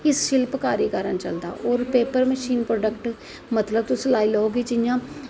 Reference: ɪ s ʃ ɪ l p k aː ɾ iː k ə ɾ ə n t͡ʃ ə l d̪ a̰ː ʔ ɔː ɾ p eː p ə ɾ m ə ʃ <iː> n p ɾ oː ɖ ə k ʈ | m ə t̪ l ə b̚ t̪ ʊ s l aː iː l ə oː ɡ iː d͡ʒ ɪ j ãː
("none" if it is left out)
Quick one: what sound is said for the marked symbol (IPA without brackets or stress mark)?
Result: iː